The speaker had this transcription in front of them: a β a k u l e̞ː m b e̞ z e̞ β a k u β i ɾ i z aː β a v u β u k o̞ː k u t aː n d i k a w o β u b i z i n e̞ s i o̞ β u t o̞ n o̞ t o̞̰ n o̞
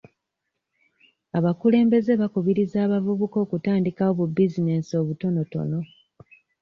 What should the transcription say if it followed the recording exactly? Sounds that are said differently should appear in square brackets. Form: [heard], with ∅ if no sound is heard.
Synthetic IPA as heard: a β a k u l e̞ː m b e̞ z e̞ β a k u β i ɾ i z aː β a v u β u k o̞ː k u t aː n d i k a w o β u b i z i n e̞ s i o̞ β u t o̞ n o̞ t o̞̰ n o̞